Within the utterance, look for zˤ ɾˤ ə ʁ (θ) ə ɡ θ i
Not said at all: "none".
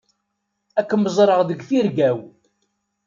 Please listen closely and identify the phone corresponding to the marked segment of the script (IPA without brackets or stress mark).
ð